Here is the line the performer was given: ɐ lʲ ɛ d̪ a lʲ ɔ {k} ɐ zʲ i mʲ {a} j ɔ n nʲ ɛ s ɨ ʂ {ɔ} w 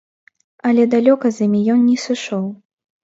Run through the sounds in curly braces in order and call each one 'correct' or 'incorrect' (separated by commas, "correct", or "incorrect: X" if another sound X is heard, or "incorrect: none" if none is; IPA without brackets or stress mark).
correct, incorrect: i, correct